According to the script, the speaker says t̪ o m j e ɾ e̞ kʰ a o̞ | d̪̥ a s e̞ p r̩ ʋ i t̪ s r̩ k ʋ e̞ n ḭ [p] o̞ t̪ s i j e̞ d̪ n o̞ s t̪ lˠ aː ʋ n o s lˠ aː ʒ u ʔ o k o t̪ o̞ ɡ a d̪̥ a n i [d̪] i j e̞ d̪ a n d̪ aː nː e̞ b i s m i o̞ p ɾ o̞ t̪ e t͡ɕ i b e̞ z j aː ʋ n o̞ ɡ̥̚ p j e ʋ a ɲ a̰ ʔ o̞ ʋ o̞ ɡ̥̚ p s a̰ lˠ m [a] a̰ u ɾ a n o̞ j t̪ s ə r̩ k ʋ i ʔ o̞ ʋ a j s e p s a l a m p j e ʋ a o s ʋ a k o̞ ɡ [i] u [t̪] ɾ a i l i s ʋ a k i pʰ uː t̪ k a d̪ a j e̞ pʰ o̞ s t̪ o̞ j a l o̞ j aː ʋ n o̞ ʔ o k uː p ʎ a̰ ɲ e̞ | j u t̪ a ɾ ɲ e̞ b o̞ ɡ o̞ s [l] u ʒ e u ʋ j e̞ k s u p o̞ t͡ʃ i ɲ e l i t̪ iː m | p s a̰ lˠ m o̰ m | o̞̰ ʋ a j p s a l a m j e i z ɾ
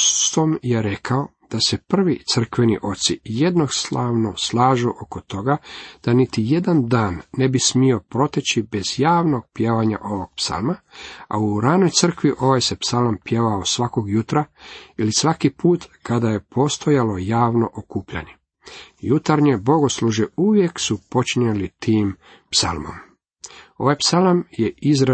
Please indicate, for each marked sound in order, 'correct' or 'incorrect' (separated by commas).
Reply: incorrect, incorrect, correct, incorrect, correct, correct